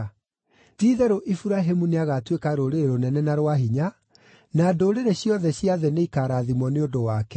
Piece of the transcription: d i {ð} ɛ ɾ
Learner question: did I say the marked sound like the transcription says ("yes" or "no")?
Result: yes